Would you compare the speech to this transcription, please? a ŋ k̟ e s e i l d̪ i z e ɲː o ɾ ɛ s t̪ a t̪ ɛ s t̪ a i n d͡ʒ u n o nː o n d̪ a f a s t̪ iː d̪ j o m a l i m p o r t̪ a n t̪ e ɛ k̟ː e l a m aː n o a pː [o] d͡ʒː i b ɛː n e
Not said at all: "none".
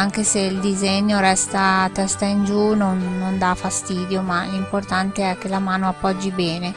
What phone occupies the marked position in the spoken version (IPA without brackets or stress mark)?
ɔ